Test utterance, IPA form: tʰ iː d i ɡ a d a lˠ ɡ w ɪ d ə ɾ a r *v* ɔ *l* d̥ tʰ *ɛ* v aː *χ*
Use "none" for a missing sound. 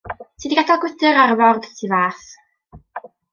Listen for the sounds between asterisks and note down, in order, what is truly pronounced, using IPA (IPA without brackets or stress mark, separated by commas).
v, r, i, θ